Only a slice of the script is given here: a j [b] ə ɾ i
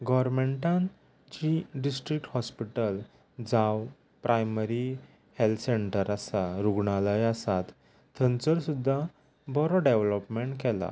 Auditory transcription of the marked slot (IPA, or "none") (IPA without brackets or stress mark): m